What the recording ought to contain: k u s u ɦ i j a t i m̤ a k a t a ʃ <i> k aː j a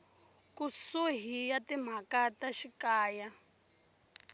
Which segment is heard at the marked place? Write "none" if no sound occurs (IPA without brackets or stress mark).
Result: i